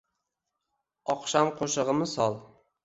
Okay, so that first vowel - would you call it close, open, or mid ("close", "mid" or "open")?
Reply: open